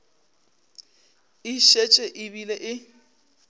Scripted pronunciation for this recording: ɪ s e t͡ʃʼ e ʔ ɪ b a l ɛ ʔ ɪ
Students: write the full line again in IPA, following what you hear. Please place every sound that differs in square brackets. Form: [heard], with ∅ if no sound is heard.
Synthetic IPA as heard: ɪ [ʃ] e t͡ʃʼ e ʔ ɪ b [i] l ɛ ʔ ɪ